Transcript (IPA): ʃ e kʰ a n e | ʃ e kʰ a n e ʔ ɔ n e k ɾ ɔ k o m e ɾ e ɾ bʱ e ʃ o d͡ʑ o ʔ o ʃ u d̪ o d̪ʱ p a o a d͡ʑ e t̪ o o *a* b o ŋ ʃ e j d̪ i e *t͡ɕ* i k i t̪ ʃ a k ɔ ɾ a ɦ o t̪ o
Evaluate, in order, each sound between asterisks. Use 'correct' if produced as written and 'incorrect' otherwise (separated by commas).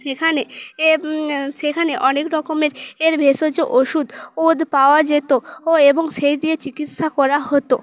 incorrect, correct